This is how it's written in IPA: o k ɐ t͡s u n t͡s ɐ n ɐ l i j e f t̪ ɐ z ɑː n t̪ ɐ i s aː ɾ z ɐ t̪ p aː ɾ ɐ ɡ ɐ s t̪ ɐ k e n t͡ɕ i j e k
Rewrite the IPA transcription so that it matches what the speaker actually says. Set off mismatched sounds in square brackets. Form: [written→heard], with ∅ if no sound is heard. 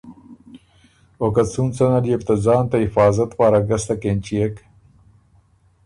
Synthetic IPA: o k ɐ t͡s u n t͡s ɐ n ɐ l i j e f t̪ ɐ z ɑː n t̪ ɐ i [s→f] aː [ɾ→∅] z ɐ t̪ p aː ɾ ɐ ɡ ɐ s t̪ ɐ k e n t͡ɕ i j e k